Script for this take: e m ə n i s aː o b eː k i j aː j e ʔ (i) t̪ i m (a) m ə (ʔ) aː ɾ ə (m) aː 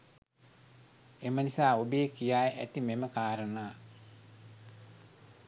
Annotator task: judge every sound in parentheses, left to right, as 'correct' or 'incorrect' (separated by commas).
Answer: incorrect, incorrect, incorrect, incorrect